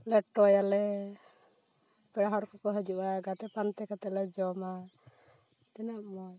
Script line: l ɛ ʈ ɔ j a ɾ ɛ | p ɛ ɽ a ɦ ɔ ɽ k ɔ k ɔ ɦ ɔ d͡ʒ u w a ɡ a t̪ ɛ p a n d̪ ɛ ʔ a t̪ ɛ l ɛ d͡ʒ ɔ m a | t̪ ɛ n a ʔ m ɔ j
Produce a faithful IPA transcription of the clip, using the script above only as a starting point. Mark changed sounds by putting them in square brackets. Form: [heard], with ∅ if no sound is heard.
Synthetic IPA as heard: l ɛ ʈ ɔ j a [l] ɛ | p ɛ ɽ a ɦ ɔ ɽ k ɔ k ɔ ɦ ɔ d͡ʒ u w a ɡ a t̪ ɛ p a n [t̪] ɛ [k] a t̪ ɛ l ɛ d͡ʒ ɔ m a | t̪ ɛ n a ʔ m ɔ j